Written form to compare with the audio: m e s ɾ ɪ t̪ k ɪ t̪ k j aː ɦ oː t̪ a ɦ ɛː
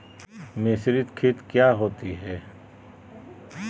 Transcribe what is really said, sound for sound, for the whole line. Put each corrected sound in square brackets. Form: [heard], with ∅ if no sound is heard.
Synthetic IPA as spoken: m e s ɾ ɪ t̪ [kʰ] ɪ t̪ k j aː ɦ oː t̪ [i] ɦ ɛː